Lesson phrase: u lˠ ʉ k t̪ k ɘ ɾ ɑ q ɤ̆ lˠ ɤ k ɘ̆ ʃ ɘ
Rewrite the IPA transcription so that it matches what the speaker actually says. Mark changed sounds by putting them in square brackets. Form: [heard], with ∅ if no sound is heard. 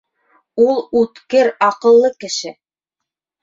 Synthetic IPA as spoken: u lˠ ʉ [∅] t̪ k ɘ ɾ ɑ q ɤ̆ [lˠː] ɤ k ɘ̆ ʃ ɘ

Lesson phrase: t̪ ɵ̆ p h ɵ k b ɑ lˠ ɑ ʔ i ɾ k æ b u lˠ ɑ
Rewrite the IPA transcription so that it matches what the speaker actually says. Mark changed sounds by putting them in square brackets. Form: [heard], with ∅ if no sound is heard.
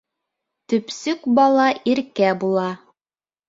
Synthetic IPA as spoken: t̪ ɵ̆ p [s] ɵ k b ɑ lˠ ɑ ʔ i ɾ k æ b u lˠ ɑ

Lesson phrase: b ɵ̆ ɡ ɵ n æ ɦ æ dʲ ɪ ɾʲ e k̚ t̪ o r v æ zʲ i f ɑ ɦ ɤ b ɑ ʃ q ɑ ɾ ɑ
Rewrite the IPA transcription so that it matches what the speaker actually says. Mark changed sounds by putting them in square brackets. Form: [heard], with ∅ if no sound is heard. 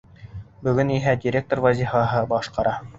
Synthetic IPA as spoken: b ɵ̆ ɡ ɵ n [i] ɦ æ dʲ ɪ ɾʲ e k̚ t̪ o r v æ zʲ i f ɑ ɦ ɤ b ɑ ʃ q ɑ ɾ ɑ

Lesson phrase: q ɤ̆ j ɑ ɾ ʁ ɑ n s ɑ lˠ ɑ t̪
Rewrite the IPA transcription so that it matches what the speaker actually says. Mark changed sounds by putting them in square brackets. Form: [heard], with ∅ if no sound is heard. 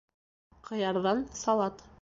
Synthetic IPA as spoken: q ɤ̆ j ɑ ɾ [ð] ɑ n s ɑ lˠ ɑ t̪

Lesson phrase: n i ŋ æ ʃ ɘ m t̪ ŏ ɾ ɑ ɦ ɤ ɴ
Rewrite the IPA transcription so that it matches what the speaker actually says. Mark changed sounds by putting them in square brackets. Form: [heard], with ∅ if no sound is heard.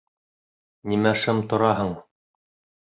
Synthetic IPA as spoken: n i [m] æ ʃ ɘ m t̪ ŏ ɾ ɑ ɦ ɤ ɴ

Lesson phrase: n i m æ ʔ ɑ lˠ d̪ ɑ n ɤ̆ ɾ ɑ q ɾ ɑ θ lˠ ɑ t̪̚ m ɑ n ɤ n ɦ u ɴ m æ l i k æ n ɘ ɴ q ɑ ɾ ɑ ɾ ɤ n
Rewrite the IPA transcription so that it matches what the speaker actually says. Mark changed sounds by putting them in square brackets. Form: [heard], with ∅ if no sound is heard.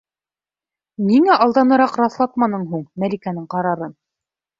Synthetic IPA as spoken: n i [ŋ] æ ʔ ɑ lˠ d̪ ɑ n ɤ̆ ɾ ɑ q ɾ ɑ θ lˠ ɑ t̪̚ m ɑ n ɤ [ɴ] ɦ u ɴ m æ l i k æ n ɘ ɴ q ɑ ɾ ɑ ɾ ɤ n

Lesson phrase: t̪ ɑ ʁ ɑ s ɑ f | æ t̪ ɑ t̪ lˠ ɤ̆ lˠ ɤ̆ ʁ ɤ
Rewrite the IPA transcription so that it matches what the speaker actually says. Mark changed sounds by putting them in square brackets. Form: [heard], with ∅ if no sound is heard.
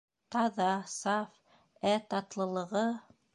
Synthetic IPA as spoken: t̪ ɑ [ð] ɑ s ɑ f | æ t̪ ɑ t̪ lˠ ɤ̆ lˠ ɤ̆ ʁ ɤ

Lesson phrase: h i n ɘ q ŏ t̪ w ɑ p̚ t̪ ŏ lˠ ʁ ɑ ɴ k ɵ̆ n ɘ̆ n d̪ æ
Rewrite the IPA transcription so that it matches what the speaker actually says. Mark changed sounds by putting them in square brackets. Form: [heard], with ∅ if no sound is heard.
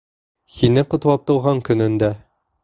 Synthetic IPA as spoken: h i n ɘ q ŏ t̪ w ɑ p̚ t̪ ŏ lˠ ʁ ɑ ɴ k ɵ̆ n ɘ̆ n d̪ æ

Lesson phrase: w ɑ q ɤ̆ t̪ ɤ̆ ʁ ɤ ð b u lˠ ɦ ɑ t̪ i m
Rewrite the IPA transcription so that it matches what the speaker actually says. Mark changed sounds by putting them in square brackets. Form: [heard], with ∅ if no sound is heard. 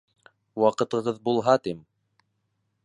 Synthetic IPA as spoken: w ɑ q ɤ̆ t̪ ɤ̆ ʁ ɤ ð b u lˠ ɦ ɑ t̪ i m

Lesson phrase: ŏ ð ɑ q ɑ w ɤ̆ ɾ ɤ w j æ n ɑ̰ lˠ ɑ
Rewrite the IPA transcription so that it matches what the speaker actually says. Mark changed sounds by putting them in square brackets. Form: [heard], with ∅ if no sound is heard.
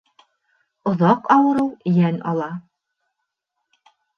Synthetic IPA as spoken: ŏ ð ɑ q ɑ w ɤ̆ ɾ ɤ w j æ n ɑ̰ lˠ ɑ

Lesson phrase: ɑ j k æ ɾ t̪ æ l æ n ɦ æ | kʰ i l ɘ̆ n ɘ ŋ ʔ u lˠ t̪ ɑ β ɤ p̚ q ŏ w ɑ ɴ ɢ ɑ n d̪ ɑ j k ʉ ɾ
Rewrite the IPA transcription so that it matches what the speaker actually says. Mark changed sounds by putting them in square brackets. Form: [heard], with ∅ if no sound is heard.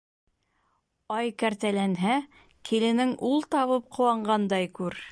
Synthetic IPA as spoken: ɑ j k æ ɾ t̪ æ l æ n ɦ æ | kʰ i l ɘ̆ n ɘ ŋ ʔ u lˠ t̪ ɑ β ɤ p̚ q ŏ w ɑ ɴ ɢ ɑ n d̪ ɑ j k ʉ ɾ

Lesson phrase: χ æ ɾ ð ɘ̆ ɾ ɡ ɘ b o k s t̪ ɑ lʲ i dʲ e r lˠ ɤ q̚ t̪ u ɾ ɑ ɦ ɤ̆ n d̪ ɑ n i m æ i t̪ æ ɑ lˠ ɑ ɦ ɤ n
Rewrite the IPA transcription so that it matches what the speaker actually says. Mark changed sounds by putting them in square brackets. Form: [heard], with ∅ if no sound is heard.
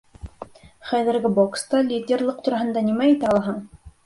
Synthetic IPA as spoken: χ æ [∅] ð ɘ̆ ɾ ɡ ɘ b o k s t̪ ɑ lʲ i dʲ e r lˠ ɤ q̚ t̪ u ɾ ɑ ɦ ɤ̆ n d̪ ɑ n i m æ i t̪ æ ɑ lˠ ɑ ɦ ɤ [ɴ]

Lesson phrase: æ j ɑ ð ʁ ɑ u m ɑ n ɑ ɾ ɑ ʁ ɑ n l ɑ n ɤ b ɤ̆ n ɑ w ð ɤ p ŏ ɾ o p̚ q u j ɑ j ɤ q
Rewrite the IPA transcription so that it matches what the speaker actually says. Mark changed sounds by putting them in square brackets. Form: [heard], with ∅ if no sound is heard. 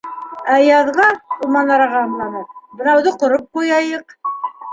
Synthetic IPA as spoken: æ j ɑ ð ʁ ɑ u m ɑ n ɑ ɾ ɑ ʁ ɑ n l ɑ n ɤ b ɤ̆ n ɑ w ð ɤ [q] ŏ ɾ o p̚ q u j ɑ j ɤ q

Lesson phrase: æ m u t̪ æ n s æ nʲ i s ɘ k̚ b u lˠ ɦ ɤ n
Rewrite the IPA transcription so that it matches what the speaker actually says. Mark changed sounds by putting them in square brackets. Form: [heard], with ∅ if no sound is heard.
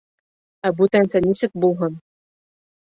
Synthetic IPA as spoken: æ [b] u t̪ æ n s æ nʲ i s ɘ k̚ b u lˠ ɦ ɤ n

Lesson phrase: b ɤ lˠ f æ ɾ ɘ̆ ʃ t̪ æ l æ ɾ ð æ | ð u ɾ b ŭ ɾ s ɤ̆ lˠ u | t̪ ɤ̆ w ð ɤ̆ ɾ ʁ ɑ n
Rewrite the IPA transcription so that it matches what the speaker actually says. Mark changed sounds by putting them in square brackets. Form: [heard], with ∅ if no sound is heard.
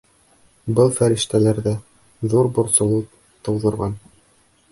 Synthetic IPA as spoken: b ɤ lˠ f æ ɾ ɘ̆ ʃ t̪ æ l æ ɾ ð æ | ð u ɾ b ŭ ɾ s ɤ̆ lˠ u | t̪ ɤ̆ w ð ɤ̆ ɾ ʁ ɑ n

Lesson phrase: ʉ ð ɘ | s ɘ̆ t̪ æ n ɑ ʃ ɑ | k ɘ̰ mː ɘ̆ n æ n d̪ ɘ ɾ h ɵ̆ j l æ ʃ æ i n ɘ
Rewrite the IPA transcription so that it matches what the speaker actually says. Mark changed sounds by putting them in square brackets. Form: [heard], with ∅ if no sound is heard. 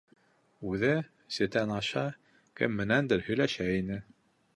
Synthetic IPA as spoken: ʉ ð ɘ | s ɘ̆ t̪ æ n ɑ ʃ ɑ | k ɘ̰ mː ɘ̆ n æ n d̪ ɘ ɾ h ɵ̆ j l æ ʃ æ i n ɘ

